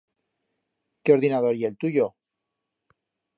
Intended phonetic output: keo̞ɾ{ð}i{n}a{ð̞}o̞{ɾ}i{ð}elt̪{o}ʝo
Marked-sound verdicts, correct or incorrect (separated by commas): correct, correct, correct, correct, incorrect, incorrect